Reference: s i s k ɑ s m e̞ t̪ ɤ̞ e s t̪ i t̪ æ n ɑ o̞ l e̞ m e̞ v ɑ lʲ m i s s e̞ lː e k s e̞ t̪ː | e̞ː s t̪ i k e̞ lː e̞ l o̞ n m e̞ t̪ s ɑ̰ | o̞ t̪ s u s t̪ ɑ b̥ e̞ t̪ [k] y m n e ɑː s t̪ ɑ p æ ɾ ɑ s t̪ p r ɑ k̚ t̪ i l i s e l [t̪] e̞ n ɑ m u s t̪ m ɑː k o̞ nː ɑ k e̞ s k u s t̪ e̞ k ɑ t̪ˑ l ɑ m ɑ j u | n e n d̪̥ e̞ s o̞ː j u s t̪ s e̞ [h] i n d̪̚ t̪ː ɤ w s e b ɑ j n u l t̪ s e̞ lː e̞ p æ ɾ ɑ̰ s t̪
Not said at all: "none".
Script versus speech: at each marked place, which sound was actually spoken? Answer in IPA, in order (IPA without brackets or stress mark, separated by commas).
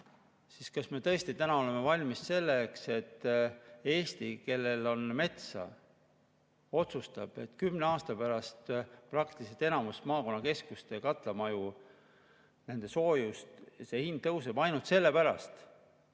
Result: k, t̪, h